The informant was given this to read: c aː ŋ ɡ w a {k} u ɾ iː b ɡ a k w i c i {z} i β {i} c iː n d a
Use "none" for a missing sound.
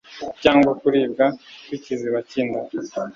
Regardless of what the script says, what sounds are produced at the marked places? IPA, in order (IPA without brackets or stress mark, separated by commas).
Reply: k, z, a